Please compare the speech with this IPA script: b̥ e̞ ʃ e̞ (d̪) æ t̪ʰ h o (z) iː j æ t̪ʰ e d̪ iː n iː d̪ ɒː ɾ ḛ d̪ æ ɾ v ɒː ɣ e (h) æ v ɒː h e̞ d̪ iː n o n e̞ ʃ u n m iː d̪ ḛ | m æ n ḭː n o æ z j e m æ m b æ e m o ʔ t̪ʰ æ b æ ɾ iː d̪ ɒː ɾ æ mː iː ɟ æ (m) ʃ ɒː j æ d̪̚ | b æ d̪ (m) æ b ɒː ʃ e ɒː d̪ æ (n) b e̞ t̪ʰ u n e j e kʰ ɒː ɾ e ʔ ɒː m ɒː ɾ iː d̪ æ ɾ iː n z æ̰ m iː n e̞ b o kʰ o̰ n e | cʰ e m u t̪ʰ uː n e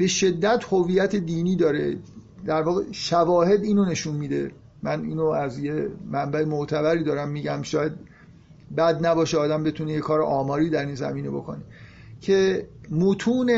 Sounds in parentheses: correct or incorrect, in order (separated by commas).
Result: incorrect, incorrect, incorrect, correct, incorrect, incorrect